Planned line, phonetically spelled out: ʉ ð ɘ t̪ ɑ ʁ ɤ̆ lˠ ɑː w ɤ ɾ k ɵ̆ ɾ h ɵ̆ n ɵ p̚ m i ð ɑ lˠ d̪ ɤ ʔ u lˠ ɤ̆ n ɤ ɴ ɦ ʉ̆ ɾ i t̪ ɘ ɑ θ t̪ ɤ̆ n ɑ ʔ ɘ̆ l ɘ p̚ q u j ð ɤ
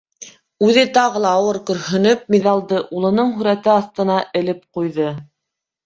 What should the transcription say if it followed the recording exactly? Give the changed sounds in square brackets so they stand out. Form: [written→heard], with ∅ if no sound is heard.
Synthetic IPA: ʉ ð ɘ t̪ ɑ ʁ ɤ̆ lˠ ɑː w ɤ ɾ k ɵ̆ ɾ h ɵ̆ n ɵ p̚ m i ð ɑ lˠ d̪ ɤ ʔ u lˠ ɤ̆ n ɤ ɴ ɦ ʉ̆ ɾ [i→æ] t̪ ɘ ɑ θ t̪ ɤ̆ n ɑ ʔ ɘ̆ l ɘ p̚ q u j ð ɤ